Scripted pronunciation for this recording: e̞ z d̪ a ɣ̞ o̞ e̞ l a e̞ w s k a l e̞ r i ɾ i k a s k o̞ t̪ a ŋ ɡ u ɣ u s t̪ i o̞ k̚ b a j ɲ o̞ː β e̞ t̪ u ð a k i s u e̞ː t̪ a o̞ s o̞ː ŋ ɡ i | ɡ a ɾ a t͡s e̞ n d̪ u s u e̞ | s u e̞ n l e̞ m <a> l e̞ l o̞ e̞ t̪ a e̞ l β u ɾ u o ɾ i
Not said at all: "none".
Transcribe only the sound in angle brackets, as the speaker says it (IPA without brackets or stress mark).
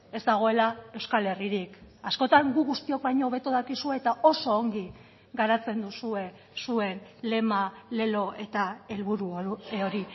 a